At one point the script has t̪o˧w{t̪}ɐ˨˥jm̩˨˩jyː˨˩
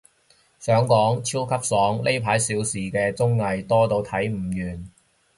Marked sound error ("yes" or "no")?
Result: yes